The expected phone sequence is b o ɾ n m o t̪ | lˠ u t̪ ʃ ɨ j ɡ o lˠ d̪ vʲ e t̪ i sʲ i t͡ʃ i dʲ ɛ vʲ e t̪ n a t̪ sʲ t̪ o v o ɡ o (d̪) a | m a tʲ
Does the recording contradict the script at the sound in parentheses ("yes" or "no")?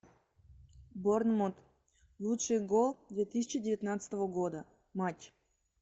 no